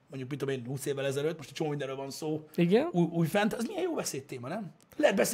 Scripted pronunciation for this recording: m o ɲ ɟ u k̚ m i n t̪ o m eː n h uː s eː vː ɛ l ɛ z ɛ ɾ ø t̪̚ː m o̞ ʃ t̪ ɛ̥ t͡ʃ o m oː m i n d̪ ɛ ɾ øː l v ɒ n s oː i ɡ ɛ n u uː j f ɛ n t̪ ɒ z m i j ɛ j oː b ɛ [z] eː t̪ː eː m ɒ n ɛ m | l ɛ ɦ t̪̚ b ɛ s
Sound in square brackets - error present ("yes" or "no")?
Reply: yes